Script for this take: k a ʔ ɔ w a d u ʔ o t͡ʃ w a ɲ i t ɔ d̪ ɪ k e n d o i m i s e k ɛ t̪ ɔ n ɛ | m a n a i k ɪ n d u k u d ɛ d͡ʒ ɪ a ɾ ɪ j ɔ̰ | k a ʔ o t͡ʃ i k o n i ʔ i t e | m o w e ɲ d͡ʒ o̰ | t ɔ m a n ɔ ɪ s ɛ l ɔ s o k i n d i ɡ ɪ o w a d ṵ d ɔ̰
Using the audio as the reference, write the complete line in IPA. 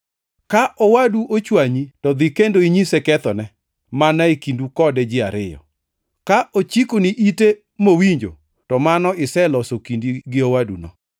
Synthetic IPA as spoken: k a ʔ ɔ w a d u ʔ o t͡ʃ w a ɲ i t ɔ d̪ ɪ k e n d o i ɲ i s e k ɛ t̪ ɔ n ɛ | m a n a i k i n d u k ɔ d ɛ d͡ʒ ɪ a ɾ ɪ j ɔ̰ | k a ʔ o t͡ʃ i k o n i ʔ i t e | m o w i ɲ d͡ʒ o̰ | t ɔ m a n ɔ ɪ s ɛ l ɔ s o k i n d i ɡ ɪ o w a d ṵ n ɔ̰